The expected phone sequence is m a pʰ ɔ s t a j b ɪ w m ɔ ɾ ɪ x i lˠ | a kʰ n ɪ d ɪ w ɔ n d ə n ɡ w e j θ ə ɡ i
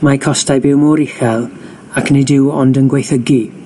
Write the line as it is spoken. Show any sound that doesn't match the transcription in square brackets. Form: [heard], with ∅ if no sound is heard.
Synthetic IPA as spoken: m a [kʰ] ɔ s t a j b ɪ w m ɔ ɾ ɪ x [ɛ] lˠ | a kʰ n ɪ d ɪ w ɔ n d ə n ɡ w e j θ ə ɡ i